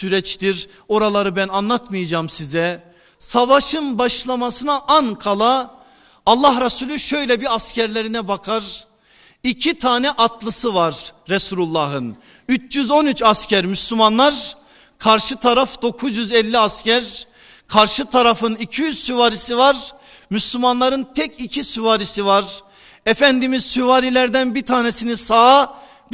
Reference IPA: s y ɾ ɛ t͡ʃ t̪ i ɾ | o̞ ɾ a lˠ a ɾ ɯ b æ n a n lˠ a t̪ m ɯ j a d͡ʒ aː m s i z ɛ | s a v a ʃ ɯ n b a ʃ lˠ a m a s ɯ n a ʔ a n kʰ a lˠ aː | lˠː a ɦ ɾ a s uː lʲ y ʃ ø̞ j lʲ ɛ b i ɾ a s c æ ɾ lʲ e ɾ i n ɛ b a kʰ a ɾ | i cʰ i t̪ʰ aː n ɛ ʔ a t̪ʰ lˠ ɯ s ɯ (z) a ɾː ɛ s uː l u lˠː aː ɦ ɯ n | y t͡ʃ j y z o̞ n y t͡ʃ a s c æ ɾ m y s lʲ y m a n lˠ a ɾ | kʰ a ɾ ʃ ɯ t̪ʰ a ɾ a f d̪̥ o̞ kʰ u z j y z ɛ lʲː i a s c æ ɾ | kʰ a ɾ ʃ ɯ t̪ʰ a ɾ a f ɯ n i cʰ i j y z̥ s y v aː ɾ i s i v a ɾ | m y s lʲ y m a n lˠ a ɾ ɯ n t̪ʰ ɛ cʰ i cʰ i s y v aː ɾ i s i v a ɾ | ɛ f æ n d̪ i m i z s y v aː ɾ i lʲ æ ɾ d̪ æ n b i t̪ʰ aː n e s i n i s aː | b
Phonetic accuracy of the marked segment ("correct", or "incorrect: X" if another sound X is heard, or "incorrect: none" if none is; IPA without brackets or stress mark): incorrect: v